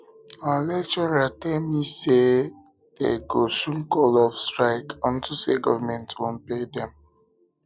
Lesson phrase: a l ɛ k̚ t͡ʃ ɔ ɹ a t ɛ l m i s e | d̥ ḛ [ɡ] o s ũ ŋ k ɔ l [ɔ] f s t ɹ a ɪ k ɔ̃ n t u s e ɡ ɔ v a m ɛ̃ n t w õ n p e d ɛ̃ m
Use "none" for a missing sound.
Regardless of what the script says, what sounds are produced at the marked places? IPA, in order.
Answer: ɡ, ɔ

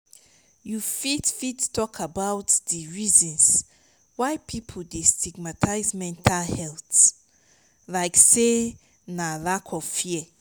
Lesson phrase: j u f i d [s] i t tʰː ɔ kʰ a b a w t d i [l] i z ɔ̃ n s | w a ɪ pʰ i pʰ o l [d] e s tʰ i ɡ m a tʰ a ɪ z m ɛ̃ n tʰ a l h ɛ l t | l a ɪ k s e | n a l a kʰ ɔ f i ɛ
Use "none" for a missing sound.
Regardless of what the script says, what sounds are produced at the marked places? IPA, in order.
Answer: f, ɹ, d

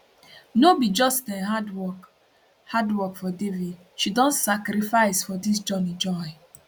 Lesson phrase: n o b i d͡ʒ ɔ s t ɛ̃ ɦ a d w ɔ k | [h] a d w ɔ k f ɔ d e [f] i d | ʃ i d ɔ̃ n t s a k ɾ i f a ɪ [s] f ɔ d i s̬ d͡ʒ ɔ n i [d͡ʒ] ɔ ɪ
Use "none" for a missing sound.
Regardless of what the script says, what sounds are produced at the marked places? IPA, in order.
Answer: h, v, s, d͡ʒ

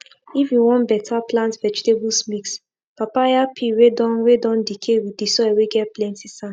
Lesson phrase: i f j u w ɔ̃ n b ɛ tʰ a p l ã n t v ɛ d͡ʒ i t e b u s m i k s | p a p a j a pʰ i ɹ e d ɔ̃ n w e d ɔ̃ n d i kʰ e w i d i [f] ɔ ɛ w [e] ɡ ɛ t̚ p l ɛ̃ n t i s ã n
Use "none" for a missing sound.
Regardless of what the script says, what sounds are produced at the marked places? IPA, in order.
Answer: s, e

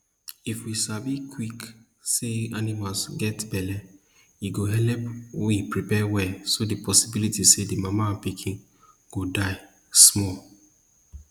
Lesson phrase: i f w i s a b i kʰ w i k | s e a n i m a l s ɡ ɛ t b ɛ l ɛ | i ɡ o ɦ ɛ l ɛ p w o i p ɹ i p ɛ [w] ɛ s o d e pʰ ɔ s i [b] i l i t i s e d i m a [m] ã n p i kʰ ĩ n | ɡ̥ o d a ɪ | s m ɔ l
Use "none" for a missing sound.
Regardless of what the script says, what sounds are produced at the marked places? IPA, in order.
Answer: w, b, m

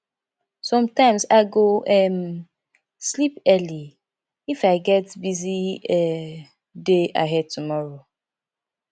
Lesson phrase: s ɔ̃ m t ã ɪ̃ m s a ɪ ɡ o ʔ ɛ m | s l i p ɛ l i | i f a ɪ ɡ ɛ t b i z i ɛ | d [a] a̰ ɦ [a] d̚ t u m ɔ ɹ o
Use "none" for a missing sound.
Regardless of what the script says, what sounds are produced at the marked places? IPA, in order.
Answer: e, ɛ

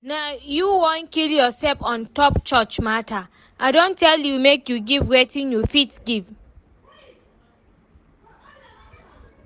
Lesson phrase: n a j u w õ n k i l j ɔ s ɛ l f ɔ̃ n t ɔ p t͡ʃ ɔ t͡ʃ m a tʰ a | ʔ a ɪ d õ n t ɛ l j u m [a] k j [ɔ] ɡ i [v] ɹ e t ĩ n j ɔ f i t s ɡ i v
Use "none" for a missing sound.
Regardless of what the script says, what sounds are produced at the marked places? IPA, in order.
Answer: e, u, v

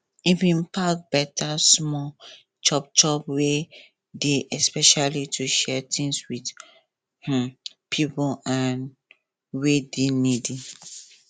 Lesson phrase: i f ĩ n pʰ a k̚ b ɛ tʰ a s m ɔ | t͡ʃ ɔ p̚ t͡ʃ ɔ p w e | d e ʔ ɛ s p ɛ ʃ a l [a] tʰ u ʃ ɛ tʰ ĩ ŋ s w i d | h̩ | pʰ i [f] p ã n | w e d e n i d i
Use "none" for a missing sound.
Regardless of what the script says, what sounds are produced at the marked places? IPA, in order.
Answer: i, none

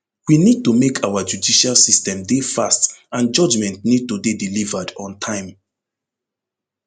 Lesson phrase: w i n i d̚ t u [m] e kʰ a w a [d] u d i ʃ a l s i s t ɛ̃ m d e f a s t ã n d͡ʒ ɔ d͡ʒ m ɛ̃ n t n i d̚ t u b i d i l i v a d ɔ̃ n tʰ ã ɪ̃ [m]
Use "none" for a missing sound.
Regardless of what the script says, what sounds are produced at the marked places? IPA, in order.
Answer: m, d͡ʒ, m

